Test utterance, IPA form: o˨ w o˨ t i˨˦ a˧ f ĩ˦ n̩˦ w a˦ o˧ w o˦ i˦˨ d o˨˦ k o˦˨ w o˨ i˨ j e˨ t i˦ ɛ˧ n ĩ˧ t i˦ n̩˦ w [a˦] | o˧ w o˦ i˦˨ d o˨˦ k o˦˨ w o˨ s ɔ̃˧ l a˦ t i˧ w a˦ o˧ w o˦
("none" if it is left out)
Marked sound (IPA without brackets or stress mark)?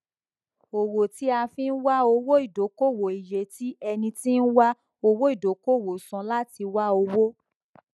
a˦